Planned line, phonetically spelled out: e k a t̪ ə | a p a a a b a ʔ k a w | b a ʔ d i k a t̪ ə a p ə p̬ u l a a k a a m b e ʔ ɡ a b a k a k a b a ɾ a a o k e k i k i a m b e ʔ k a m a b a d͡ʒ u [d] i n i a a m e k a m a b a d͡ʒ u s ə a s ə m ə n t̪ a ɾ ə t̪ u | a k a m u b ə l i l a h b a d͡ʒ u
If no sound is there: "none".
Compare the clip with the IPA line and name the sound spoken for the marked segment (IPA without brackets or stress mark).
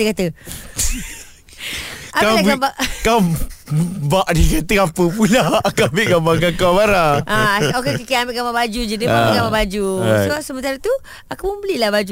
d͡ʒ